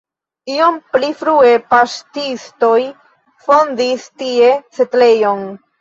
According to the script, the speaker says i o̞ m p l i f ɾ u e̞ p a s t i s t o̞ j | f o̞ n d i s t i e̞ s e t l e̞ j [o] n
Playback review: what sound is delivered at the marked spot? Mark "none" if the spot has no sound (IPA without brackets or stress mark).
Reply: o